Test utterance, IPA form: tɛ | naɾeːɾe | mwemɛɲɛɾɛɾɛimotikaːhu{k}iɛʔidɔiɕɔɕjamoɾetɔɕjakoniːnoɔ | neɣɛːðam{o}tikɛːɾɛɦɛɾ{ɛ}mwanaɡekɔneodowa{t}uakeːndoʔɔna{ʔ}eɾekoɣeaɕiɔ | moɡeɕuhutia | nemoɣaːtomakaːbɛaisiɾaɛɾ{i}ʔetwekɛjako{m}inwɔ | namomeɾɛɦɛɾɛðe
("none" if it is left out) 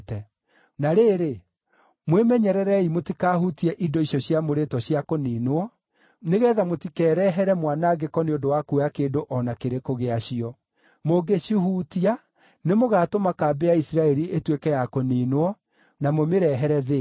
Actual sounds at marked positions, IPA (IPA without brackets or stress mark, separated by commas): t, o, ɛ, k, k, i, n